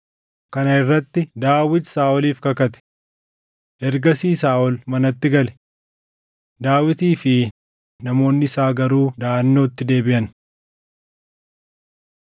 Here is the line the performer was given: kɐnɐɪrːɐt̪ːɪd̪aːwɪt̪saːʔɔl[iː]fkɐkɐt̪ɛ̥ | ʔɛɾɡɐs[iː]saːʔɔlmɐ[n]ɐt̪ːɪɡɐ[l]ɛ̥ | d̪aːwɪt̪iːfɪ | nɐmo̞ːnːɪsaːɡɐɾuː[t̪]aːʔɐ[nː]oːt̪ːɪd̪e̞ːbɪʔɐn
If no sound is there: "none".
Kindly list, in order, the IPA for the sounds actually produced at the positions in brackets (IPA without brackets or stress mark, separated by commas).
iː, iː, n, l, d̪, nː